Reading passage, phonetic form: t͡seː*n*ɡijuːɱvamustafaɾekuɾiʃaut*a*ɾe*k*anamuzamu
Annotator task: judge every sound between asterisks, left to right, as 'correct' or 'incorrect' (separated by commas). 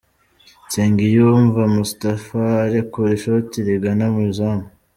incorrect, incorrect, incorrect